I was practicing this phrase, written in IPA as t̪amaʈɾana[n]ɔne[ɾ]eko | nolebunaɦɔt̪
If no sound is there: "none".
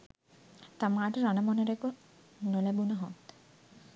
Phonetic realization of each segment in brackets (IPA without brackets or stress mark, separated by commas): m, ɾ